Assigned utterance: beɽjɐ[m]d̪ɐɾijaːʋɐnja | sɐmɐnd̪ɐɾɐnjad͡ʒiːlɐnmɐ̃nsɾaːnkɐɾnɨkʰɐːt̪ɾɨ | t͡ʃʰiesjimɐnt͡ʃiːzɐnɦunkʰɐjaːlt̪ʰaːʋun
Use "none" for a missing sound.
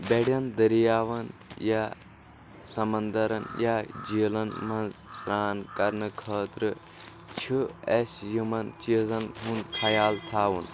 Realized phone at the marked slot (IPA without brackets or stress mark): n